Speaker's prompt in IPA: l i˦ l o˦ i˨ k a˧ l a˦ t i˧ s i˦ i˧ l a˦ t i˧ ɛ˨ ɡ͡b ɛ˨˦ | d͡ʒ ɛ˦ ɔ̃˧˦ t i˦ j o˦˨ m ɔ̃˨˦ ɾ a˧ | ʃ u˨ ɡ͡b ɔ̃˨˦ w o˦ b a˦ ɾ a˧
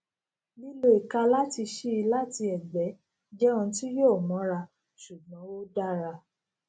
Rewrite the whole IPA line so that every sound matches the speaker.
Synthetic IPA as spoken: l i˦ l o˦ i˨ k a˧ l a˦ t i˧ ʃ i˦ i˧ l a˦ t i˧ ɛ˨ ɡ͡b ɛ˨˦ | d͡ʒ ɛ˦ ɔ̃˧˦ t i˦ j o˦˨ m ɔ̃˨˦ ɾ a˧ | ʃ u˨ ɡ͡b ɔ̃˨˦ w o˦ d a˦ ɾ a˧